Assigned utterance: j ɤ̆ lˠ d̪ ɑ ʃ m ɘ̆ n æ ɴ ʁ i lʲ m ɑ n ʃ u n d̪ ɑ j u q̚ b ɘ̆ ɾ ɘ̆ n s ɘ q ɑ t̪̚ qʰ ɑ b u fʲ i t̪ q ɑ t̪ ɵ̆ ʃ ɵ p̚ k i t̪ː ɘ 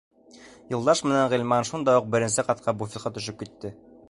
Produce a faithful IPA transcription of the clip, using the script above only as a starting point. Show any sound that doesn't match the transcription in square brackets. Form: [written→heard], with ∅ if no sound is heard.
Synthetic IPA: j ɤ̆ lˠ d̪ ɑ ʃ m ɘ̆ n æ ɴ ʁ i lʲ m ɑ n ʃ u n d̪ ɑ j u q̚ b ɘ̆ ɾ ɘ̆ n s ɘ q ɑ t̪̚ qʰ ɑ b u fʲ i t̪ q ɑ t̪ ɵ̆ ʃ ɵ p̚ k i t̪ː ɘ